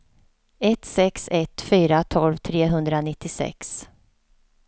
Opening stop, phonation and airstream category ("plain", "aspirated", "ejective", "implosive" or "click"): plain